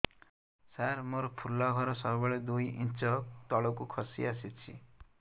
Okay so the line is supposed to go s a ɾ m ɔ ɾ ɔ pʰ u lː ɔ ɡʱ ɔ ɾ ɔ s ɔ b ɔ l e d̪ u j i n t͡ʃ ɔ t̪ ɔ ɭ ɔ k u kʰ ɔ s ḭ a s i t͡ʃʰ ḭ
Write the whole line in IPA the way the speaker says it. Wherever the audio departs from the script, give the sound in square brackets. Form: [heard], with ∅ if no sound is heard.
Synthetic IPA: s a ɾ m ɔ ɾ ɔ pʰ u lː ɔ ɡʱ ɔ ɾ ɔ s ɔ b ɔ [ɭ] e d̪ u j i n t͡ʃ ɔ t̪ ɔ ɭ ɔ k u kʰ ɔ s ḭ a s i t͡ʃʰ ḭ